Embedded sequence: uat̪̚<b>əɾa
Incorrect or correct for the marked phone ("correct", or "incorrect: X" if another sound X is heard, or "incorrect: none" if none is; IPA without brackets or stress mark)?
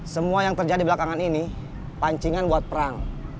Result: incorrect: p